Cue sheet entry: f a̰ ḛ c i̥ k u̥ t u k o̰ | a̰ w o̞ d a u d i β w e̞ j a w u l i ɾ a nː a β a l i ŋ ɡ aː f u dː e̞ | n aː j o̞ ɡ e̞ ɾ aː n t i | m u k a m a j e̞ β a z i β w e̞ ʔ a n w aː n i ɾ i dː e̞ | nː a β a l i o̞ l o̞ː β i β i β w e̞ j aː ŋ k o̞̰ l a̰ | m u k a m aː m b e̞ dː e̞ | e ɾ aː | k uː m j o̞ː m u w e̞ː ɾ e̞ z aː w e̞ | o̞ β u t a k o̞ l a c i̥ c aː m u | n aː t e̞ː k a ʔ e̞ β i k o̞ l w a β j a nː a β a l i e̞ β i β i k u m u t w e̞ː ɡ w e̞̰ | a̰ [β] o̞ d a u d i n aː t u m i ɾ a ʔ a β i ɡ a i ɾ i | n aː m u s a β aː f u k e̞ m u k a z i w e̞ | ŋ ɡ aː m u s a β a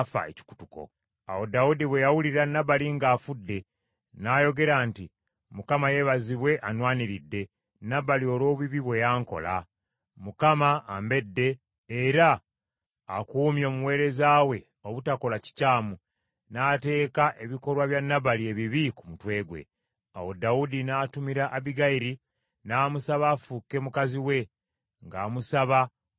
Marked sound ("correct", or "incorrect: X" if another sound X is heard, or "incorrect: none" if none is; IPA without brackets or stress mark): incorrect: w